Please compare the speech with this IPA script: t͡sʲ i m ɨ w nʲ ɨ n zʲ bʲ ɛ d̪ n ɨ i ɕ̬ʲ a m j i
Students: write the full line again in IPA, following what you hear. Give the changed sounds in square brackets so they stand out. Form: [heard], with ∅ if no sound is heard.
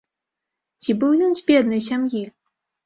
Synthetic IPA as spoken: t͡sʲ i [b] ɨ w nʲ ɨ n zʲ bʲ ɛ d̪ n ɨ [j] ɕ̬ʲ a m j i